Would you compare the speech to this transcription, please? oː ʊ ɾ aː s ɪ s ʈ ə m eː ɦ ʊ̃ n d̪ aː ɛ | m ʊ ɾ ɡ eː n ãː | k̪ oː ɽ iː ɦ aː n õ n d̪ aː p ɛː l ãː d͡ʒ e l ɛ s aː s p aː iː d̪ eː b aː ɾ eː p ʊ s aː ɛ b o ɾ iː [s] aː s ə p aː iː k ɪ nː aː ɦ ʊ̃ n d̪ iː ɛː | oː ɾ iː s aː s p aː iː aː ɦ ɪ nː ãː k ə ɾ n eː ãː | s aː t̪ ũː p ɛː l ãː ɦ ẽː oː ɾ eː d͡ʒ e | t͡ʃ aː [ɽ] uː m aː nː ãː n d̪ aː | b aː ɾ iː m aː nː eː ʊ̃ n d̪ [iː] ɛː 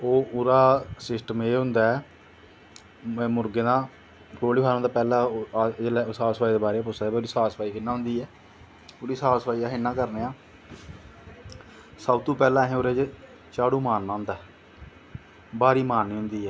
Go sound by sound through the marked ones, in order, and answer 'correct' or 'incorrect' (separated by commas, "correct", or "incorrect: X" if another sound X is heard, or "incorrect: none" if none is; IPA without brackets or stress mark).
correct, correct, correct